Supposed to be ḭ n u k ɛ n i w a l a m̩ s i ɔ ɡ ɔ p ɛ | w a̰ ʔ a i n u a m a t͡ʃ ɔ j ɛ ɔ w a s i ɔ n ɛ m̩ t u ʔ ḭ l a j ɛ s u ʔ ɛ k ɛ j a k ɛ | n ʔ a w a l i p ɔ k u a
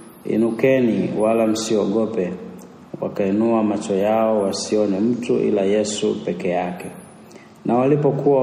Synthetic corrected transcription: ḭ n u k ɛ n i w a l a m̩ s i ɔ ɡ ɔ p ɛ | w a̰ k a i n u a m a t͡ʃ ɔ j a ɔ w a s i ɔ n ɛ m̩ t u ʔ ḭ l a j ɛ s u p ɛ k ɛ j a k ɛ | n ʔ a w a l i p ɔ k u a